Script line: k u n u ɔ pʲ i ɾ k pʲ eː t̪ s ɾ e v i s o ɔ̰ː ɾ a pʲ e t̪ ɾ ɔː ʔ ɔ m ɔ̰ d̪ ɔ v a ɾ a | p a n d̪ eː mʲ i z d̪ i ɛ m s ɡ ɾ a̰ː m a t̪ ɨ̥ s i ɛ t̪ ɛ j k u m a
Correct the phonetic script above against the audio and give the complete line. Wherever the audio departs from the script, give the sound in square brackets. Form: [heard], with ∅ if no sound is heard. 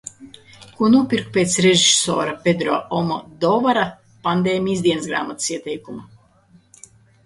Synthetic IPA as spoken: k u n u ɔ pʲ i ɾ k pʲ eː t̪ s ɾ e [ʒ] i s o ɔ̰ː ɾ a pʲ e [d̪] ɾ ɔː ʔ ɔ m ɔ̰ d̪ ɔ v a ɾ a | p a n d̪ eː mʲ i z d̪ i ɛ [n] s ɡ ɾ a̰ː m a t̪ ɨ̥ s i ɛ t̪ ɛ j k u m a